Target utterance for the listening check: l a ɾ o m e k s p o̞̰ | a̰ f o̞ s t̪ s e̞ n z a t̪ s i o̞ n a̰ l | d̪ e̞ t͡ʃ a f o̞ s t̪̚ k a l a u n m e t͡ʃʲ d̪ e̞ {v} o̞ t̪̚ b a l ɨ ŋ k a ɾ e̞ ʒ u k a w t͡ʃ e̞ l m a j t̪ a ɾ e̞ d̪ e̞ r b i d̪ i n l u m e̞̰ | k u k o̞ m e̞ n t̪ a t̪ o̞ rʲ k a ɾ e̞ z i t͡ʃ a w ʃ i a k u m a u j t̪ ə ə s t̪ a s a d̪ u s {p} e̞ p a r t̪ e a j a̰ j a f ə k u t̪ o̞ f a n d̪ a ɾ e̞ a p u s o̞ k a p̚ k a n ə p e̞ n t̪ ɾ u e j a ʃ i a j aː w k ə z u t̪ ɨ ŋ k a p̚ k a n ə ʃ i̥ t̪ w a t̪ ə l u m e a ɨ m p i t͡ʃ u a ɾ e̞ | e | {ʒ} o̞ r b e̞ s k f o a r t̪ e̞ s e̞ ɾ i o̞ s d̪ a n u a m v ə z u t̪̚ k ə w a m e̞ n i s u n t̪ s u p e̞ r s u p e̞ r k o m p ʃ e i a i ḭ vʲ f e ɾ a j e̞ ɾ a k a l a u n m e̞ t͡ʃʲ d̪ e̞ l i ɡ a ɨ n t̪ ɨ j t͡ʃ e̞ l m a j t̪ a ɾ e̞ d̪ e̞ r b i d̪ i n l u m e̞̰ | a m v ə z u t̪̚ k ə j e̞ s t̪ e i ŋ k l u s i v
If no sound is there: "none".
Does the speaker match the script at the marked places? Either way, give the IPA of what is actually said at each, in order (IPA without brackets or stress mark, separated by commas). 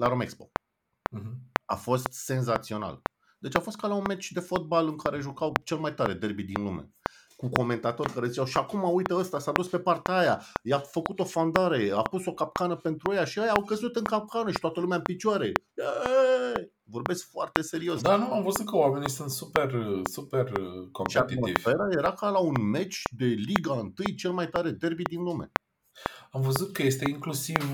f, p, v